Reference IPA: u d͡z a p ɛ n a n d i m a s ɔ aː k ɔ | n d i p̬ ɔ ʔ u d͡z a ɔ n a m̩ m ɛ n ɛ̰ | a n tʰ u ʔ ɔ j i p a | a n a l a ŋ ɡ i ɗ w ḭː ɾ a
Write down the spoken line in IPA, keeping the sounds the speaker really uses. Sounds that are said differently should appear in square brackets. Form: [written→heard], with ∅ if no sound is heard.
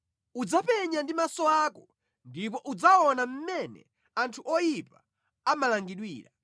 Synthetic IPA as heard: u d͡z a p ɛ [n→ɲ] a n d i m a s ɔ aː k ɔ | n d i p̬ ɔ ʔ u d͡z a ɔ n a m̩ m ɛ n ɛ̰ | a n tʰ u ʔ ɔ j i p a | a [n→m] a l a ŋ ɡ i ɗ w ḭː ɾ a